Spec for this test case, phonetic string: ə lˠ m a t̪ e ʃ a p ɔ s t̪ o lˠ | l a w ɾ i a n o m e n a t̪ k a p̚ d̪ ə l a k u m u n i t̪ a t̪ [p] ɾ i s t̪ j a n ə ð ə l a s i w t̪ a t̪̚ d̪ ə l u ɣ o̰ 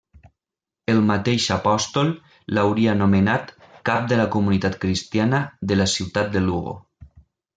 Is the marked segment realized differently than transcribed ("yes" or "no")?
yes